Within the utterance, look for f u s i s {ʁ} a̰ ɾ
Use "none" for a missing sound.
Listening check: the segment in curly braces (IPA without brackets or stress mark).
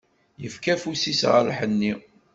ʁ